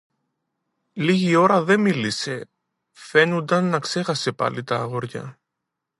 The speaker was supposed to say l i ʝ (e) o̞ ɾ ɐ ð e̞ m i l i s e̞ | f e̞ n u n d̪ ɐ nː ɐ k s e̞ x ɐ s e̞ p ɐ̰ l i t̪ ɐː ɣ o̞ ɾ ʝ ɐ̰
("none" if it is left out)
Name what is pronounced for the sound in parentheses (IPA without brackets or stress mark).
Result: i